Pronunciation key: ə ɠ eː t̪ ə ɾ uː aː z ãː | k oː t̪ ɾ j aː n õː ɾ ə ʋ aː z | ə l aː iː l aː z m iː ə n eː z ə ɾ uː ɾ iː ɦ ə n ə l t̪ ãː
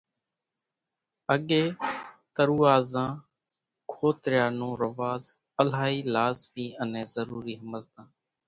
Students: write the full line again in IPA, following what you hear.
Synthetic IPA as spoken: ə ɠ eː t̪ ə ɾ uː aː z ãː | kʰ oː t̪ ɾ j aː n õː ɾ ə ʋ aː z | ə l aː iː l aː z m iː ə n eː z ə ɾ uː ɾ iː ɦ ə m ə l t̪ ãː